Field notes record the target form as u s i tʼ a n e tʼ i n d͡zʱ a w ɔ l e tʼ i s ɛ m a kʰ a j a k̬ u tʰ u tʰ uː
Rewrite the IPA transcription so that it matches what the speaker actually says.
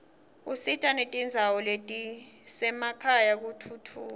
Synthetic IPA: u s i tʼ a n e tʼ i n d͡zʱ a w ɔ l e tʼ i s ɛ m a kʰ a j a k̬ u tʰ u tʰ uː